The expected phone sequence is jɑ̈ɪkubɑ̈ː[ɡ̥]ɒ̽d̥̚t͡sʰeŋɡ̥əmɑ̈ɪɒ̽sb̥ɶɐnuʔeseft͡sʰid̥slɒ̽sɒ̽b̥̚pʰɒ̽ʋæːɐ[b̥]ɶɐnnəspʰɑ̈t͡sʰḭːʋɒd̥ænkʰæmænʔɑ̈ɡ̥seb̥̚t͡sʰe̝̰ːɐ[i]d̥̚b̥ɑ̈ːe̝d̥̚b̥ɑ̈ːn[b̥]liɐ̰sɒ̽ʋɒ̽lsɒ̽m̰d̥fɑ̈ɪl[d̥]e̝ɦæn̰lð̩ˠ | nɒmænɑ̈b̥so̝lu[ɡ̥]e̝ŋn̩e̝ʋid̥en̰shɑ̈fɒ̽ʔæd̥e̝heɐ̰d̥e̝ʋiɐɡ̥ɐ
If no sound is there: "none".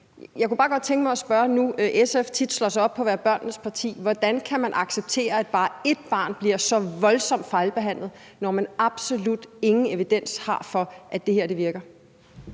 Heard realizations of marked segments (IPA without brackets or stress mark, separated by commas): ɡ̥, b̥, æ, b̥, b̥, d̥